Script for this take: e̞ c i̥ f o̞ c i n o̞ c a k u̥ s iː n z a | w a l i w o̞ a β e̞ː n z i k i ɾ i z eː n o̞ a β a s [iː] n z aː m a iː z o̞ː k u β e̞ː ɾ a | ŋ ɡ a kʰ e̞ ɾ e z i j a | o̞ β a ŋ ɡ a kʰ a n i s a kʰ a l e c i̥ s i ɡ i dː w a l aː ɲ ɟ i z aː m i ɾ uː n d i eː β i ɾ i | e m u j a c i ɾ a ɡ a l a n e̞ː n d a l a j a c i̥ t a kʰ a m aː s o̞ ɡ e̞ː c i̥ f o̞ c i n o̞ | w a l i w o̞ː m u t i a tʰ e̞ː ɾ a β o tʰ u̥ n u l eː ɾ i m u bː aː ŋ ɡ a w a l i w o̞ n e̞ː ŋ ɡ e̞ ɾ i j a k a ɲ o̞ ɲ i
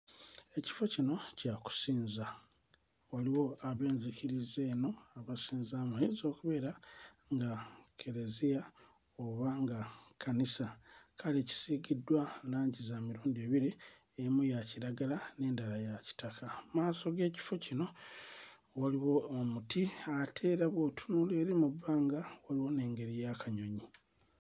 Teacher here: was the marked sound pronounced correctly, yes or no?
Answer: yes